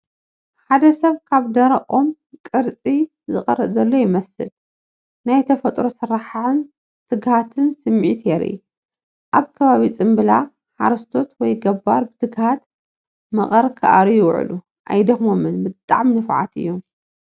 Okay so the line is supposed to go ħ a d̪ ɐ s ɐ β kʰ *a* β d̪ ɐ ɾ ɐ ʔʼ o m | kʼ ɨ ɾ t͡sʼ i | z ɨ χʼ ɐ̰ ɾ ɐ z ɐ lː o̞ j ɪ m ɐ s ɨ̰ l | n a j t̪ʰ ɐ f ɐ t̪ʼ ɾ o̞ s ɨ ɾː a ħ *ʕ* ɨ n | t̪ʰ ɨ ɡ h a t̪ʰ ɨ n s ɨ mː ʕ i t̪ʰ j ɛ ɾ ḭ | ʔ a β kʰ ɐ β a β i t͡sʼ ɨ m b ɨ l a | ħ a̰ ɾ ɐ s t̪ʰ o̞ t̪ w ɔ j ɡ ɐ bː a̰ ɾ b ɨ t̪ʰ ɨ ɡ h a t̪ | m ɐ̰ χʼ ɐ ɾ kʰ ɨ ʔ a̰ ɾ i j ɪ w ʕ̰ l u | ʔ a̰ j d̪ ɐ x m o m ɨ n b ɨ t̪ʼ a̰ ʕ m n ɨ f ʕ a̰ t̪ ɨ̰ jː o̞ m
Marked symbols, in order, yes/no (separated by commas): yes, yes